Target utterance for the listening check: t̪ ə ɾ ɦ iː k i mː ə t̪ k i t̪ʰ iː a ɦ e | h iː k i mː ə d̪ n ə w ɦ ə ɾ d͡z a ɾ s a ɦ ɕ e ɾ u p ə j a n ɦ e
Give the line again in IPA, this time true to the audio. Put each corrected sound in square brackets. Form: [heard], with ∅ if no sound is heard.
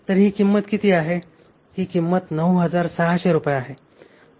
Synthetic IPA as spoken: t̪ ə ɾ ɦ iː k i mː ə t̪ k i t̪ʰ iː a ɦ e | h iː k i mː ə [t̪] n ə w ɦ ə [∅] d͡z a ɾ s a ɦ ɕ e ɾ u p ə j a [∅] ɦ e

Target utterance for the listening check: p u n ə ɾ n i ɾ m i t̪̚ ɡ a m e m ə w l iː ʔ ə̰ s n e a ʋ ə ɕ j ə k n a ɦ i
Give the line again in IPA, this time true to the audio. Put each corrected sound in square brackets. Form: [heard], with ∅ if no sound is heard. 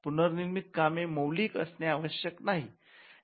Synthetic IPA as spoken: p u n ə ɾ n i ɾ m i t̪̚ [k] a m e m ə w l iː [k] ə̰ s n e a ʋ ə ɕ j ə k n a ɦ i

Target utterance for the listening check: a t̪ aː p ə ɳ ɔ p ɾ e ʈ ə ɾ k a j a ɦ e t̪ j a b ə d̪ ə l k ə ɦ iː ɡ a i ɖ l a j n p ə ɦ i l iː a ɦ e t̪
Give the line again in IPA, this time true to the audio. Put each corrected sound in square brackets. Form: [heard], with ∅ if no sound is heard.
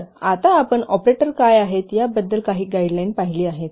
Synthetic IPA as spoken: a t̪ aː p ə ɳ ɔ p ɾ e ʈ ə ɾ k a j a ɦ e t̪ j a b ə [d̪ː] ə l k [a] ɦ iː ɡ a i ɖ l a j n p [a] ɦ i l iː a ɦ e t̪

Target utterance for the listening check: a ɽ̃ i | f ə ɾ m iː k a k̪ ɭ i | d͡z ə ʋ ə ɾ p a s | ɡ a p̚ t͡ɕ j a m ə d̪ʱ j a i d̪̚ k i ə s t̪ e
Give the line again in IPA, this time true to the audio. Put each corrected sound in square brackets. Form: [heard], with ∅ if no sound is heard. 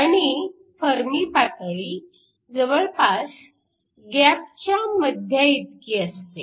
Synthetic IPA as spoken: a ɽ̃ i | f ə ɾ m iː [p] a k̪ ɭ i | d͡z ə ʋ ə [ɭ] p a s | ɡ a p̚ t͡ɕ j a m ə d̪ʱ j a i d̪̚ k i ə s t̪ e

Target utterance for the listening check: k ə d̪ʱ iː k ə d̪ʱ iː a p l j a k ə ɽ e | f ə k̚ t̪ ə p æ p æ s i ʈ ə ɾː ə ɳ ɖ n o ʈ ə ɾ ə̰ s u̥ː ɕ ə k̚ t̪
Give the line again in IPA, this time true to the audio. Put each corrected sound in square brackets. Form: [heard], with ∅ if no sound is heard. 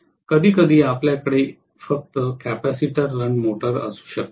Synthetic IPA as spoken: k ə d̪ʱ iː k ə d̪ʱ iː a p l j a k ə ɽ e | f ə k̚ t̪ ə [k] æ p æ s i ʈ ə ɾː ə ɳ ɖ [m] o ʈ ə ɾ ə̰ s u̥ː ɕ ə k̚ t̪

